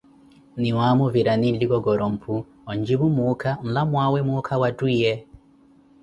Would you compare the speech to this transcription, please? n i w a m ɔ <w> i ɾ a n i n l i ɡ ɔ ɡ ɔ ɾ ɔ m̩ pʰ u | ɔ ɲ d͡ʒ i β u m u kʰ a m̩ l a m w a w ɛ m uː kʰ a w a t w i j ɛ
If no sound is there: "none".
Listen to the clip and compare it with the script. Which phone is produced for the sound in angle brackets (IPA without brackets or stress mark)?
v